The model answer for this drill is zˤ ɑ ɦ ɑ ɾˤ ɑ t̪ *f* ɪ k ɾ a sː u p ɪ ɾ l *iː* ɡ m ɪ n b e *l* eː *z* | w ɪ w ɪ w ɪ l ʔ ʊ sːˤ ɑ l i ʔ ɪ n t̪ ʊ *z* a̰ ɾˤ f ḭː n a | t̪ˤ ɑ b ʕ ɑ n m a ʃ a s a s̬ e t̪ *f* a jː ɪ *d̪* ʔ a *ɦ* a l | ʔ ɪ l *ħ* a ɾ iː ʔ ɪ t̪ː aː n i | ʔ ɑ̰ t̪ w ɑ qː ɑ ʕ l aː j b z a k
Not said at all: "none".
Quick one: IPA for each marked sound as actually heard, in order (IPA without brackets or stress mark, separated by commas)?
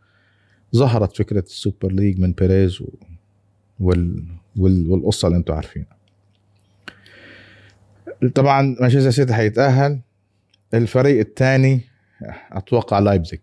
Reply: f, iː, ɾ, z, ʕ, ħ, t̪, ɦː, f